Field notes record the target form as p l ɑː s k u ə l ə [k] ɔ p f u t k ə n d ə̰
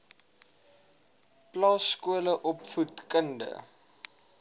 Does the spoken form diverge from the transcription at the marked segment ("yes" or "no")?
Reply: yes